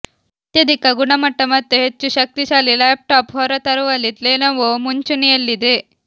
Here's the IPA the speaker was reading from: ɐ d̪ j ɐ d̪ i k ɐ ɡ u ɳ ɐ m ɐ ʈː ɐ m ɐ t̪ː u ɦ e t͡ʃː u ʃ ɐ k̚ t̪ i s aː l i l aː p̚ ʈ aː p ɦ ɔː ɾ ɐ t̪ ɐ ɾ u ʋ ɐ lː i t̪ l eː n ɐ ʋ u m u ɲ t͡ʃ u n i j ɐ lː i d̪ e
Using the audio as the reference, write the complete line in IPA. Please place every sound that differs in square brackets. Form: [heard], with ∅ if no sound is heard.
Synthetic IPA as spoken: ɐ [t̪] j ɐ d̪ i k ɐ ɡ u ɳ ɐ m ɐ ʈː ɐ m ɐ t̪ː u ɦ e t͡ʃː u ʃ ɐ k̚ t̪ i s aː l i l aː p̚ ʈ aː p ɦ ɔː ɾ ɐ t̪ ɐ ɾ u ʋ ɐ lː i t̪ l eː n ɐ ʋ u m u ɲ t͡ʃ u n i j ɐ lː i d̪ e